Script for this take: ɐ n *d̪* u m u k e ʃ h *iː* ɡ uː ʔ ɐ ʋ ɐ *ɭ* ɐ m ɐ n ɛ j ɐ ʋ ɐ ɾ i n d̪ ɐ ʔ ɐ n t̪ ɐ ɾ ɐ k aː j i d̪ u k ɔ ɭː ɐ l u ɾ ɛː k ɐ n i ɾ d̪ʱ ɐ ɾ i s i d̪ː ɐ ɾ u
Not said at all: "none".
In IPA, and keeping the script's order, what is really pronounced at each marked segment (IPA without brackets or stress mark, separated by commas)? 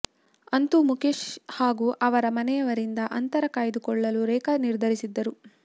t̪, aː, ɾ